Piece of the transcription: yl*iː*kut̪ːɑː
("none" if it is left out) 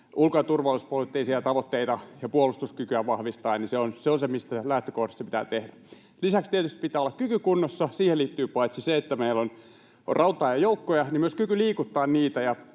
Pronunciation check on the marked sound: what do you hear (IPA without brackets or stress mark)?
iː